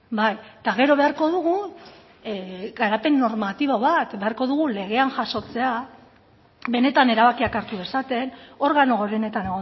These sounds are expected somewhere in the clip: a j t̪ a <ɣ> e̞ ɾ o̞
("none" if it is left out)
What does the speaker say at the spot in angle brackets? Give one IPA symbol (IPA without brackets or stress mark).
ɣ